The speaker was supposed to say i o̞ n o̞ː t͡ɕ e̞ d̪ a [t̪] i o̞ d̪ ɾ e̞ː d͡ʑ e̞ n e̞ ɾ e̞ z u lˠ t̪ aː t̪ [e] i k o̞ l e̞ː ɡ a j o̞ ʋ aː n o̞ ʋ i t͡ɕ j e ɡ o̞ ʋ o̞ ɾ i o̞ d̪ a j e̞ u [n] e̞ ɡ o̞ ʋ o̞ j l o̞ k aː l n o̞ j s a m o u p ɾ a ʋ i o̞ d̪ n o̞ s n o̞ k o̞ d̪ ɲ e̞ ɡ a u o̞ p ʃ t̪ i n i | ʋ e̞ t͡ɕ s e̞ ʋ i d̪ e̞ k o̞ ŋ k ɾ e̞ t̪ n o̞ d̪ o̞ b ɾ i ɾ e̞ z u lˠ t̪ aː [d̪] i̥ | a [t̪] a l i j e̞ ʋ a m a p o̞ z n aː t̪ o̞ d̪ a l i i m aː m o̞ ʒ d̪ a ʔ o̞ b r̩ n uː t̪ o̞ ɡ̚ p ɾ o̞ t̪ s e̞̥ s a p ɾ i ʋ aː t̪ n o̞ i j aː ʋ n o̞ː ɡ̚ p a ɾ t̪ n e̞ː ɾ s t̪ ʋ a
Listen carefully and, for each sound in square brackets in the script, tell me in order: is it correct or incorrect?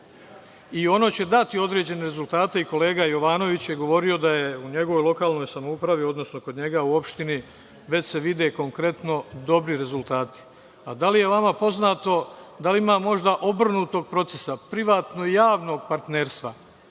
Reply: correct, correct, incorrect: ɲ, incorrect: t̪, incorrect: d̪

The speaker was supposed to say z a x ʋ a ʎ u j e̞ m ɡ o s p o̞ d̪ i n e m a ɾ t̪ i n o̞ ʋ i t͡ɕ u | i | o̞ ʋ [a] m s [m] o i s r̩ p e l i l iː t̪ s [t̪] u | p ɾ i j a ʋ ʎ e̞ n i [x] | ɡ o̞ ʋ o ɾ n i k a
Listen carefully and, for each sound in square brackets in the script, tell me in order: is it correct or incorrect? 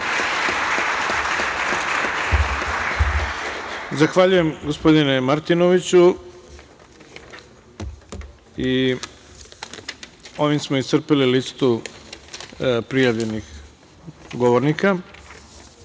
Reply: incorrect: i, correct, correct, correct

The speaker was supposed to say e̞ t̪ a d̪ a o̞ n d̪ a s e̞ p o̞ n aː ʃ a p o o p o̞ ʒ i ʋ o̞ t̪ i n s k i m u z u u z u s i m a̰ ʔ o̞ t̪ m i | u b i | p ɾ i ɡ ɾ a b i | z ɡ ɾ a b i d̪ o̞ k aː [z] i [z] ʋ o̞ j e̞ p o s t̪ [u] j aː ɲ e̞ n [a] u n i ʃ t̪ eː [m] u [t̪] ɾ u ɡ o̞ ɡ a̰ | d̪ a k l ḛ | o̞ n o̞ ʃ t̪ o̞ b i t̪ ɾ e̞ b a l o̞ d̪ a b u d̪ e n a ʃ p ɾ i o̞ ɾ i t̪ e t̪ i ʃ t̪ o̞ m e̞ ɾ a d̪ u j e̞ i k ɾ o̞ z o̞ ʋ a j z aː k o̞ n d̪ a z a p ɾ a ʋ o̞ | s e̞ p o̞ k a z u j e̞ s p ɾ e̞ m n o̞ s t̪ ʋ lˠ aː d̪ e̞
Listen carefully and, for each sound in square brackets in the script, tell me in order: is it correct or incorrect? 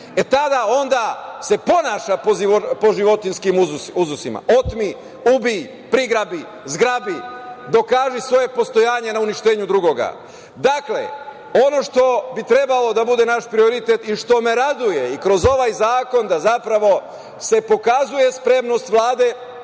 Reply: incorrect: ʒ, incorrect: s, incorrect: o, correct, incorrect: ɲ, incorrect: d̪

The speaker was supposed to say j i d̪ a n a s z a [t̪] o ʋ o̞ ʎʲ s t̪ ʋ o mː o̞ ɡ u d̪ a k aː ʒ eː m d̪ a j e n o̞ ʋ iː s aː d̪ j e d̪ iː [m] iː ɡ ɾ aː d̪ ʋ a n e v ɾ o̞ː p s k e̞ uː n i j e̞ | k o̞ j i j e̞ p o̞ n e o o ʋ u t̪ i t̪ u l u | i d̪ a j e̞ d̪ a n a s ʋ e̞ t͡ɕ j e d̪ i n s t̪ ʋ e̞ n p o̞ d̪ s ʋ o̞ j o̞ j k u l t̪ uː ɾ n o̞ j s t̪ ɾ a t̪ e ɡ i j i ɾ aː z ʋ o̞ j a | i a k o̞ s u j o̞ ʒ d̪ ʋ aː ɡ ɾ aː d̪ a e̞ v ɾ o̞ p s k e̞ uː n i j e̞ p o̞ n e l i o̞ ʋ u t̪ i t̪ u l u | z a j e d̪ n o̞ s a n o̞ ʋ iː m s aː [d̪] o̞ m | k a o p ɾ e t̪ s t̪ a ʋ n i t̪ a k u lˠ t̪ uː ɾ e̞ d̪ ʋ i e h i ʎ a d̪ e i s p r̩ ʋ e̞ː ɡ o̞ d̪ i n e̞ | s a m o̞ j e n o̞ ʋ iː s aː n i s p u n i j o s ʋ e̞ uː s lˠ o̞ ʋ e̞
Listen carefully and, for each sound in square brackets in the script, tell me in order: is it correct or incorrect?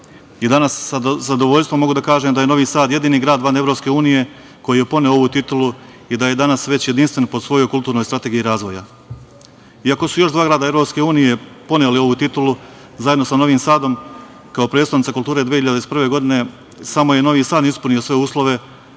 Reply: incorrect: d̪, incorrect: n, correct

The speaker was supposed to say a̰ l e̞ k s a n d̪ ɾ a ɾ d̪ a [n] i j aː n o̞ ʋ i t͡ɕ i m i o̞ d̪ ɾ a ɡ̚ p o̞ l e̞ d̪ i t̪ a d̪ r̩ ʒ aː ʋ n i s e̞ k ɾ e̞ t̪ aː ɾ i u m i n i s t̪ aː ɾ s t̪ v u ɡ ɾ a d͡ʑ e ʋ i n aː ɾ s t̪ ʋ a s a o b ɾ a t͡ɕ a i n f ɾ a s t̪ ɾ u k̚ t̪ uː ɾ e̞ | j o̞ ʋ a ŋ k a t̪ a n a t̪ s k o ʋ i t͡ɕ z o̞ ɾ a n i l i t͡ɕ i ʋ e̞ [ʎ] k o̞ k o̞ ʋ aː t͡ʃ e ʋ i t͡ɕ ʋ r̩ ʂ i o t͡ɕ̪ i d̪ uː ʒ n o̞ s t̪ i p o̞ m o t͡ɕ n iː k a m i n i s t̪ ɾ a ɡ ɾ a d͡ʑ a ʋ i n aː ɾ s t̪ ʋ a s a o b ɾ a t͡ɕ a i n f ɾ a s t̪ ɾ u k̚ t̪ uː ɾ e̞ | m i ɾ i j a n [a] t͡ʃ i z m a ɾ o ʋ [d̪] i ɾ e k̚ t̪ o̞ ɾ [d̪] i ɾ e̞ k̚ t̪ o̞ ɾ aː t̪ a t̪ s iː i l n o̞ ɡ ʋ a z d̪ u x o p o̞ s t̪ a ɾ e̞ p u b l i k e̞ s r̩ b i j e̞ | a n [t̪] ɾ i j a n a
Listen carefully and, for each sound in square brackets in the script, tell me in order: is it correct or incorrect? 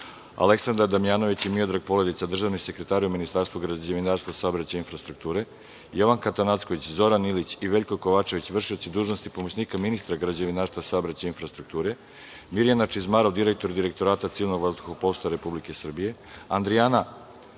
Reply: incorrect: m, correct, correct, correct, correct, incorrect: d̪

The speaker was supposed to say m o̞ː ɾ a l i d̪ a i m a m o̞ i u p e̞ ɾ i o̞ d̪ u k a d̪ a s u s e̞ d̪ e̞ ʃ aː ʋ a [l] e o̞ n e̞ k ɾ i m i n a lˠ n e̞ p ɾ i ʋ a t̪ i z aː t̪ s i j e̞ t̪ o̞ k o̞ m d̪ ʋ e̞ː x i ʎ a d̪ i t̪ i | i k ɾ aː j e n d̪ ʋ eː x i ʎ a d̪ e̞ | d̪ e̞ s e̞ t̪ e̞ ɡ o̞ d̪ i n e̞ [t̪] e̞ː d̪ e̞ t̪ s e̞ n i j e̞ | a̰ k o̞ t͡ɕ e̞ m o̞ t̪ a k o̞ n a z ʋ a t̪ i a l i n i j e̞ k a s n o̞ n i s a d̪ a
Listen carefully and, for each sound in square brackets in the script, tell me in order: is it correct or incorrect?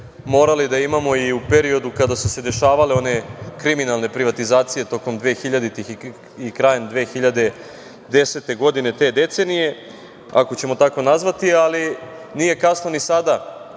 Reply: correct, correct

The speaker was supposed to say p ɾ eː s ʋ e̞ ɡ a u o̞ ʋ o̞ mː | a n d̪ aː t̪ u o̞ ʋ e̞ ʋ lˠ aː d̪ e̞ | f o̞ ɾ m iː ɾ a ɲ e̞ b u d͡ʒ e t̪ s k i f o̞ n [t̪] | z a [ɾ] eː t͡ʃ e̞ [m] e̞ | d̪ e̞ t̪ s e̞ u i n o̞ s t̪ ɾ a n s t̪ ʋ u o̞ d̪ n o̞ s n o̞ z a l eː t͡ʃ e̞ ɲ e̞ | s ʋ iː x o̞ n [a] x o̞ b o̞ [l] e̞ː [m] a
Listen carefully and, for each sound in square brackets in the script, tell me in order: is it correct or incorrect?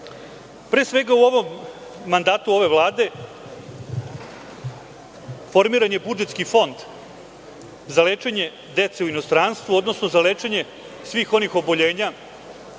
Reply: incorrect: d̪, incorrect: l, incorrect: ɲ, incorrect: i, incorrect: ʎ, incorrect: ɲ

